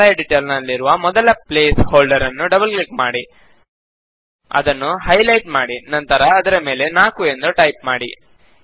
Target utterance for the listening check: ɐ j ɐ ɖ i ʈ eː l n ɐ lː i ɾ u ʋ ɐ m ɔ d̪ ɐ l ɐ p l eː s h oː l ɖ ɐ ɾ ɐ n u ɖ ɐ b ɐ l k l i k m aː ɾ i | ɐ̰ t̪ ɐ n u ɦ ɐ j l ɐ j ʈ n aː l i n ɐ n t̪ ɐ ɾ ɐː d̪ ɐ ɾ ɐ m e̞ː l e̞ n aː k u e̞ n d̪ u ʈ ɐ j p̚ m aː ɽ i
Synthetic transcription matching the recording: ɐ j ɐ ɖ i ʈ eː l n ɐ lː i ɾ u ʋ ɐ m ɔ d̪ ɐ l ɐ p l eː s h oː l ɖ ɐ ɾ ɐ nː u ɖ ɐ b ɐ l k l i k m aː ɽ i | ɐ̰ d̪ ɐ nː u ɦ ɐ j l ɐ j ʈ m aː ɽ i n ɐ n t̪ ɐ ɾ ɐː d̪ ɐ ɾ ɐ m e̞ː l e̞ n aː k u e̞ n d̪ u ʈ ɐ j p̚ m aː ɽ i